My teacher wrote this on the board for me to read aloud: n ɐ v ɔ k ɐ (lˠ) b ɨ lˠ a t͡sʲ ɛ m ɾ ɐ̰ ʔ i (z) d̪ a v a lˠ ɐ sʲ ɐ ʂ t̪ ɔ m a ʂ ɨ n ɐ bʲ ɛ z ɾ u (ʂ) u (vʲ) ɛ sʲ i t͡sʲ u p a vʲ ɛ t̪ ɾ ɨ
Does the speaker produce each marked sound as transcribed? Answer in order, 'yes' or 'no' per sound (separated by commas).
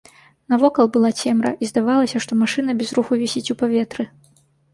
yes, yes, no, yes